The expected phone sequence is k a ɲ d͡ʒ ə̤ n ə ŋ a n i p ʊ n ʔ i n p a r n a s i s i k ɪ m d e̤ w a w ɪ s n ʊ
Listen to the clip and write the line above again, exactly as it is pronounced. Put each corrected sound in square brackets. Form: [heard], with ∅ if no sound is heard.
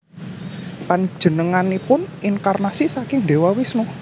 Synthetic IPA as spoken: [p] a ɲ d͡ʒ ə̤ n ə ŋ a n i p ʊ n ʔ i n [k] a r n a s i s [a] k ɪ [ŋ] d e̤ w a w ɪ s n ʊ